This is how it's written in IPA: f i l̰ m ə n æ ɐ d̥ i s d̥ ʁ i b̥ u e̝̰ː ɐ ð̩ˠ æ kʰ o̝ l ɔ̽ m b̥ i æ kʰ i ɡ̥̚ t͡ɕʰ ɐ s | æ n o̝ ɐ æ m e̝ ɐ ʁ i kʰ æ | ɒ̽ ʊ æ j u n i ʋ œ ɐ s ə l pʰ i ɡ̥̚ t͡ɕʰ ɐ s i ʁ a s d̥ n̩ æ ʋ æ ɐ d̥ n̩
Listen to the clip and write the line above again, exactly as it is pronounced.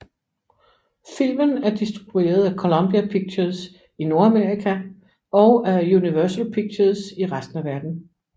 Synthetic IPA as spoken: f i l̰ m ə n æ ɐ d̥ i s d̥ ʁ i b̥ u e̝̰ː ɐ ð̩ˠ æ kʰ o̝ l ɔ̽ m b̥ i æ pʰ i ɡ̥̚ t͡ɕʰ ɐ s | i n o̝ ɐ æ m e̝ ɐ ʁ i kʰ æ | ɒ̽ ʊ æ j u n i ʋ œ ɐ s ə l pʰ i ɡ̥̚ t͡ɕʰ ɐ s i ʁ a s d̥ n̩ æ ʋ æ ɐ d̥ n̩